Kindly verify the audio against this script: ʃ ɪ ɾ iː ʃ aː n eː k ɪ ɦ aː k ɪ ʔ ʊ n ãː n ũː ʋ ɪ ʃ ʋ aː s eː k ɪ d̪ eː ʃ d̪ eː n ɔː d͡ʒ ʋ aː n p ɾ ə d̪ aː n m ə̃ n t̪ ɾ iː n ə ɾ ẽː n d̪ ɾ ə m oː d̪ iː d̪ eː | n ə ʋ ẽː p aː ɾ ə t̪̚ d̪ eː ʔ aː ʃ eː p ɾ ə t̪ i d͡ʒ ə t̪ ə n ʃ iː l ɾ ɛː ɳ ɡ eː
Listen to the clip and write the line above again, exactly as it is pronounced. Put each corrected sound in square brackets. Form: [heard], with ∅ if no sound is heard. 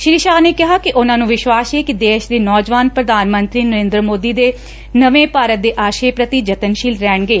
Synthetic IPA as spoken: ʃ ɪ ɾ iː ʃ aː n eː k ɪ ɦ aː k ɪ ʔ ʊ n ãː n ũː ʋ ɪ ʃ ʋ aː s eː k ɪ d̪ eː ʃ d̪ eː n ɔː d͡ʒ ʋ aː n p ɾ ə d̪ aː n m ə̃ n t̪ ɾ iː n ə ɾ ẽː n d̪ ɾ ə m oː d̪ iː d̪ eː | n ə ʋ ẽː p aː ɾ ə t̪̚ d̪ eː ʔ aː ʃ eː p ɾ ə t̪ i d͡ʒ ə t̪ ə n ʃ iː l ɾ ɛː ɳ ɡ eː